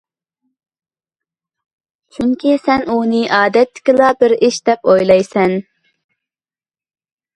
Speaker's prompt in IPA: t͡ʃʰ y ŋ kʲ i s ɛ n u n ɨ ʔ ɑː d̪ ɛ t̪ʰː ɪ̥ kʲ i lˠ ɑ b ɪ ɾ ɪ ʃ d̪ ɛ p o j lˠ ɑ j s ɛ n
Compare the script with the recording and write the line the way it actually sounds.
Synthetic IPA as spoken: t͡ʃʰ y ŋ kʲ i s ɛ n u n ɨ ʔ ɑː d̪ ɛ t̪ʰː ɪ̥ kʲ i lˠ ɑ b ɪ ɾ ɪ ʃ d̪ ɛ p o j lˠ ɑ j s ɛ n